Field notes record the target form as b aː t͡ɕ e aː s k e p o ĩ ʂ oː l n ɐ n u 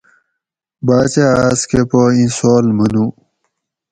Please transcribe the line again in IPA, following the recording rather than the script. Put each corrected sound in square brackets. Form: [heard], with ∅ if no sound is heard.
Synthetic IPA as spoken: b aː t͡ɕ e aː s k e p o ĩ [s] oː l [m] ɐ n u